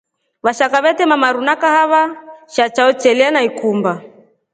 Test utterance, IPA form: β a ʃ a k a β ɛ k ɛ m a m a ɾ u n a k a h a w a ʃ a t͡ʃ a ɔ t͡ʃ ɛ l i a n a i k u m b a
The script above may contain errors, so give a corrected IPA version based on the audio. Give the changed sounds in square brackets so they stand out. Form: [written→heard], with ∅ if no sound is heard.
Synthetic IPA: β a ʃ a k a β ɛ [k→t] ɛ m a m a ɾ u n a k a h a [w→β] a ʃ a t͡ʃ a ɔ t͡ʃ ɛ l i a n a i k u m b a